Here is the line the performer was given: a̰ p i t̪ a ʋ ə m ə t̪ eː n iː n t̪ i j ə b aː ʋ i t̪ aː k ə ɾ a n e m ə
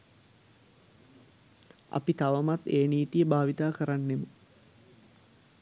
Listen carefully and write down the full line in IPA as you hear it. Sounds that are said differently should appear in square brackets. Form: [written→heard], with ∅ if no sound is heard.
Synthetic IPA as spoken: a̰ p i t̪ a ʋ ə m [ə→a] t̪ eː n iː [n→∅] t̪ i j ə b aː ʋ i t̪ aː k ə ɾ a [n→nː] e m ə